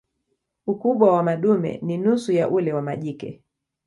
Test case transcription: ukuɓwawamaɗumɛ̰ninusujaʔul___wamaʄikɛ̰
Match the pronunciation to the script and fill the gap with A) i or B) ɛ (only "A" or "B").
B